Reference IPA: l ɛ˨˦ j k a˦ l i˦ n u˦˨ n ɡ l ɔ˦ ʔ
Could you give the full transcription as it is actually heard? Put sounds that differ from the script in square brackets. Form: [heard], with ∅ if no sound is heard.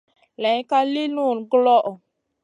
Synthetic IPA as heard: l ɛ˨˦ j k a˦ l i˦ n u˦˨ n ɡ l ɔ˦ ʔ